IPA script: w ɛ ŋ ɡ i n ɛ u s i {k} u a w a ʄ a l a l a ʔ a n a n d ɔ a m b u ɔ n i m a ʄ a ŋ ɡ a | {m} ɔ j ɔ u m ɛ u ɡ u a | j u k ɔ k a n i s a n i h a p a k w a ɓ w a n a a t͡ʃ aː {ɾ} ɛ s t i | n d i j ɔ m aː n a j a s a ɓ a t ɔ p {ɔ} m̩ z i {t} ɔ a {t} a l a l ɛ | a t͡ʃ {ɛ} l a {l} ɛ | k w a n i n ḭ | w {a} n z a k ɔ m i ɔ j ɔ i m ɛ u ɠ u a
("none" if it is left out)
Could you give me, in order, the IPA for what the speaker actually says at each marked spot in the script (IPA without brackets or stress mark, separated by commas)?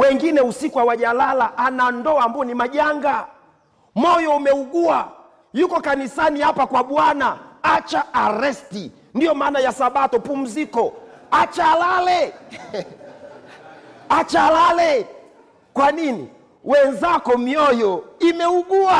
k, m, ɾ, u, k, t͡ʃ, a, l, ɛ